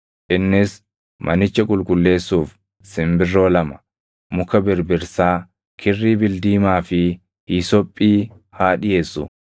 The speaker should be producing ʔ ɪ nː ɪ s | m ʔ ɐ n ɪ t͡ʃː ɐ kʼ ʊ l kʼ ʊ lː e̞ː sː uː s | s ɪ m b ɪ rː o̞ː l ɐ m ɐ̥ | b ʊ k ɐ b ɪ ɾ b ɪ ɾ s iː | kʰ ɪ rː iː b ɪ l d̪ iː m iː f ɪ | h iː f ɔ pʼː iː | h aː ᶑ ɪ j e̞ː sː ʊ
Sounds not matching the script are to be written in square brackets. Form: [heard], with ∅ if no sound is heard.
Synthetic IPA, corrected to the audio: ʔ ɪ nː ɪ s | m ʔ ɐ n ɪ t͡ʃː ɐ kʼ ʊ l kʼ ʊ lː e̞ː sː uː [f] | s ɪ m b ɪ rː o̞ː l ɐ m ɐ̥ | [m] ʊ k ɐ b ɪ ɾ b ɪ ɾ s [aː] | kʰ ɪ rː iː b ɪ l d̪ iː m [aː] f ɪ | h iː [s] ɔ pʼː iː | h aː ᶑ ɪ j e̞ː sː ʊ